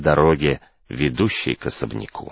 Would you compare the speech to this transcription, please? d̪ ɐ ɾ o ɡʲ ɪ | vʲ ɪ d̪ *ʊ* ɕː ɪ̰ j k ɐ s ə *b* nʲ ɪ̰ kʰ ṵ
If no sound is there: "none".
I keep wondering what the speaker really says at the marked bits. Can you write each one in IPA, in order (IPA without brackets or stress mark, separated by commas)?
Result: u, b